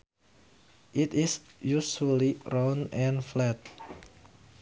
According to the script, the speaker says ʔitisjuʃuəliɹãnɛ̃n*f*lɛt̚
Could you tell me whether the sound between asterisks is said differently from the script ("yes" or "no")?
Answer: no